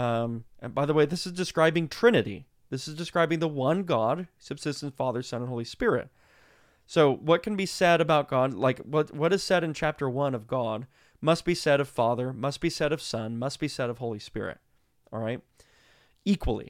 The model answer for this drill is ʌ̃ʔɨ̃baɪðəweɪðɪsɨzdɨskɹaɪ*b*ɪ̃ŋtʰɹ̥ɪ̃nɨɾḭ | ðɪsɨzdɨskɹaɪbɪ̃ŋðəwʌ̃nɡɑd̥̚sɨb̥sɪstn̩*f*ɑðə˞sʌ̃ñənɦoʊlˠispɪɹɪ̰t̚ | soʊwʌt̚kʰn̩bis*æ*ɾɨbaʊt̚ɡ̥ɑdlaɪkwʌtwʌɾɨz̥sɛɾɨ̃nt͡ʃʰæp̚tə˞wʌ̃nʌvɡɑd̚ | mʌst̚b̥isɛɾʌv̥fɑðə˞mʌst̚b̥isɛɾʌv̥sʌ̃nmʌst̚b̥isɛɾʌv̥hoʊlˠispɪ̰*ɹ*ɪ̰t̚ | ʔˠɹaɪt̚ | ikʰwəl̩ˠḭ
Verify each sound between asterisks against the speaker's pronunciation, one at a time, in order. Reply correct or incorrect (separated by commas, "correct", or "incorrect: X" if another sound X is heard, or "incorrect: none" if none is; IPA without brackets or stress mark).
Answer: correct, correct, incorrect: ɛ, correct